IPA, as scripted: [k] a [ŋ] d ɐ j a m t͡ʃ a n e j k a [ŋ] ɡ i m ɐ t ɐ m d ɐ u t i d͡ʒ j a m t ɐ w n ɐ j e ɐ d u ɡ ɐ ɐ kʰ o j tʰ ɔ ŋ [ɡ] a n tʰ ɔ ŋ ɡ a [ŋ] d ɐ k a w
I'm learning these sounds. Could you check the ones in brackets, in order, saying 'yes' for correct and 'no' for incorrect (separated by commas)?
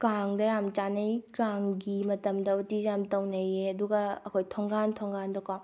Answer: yes, yes, yes, yes, no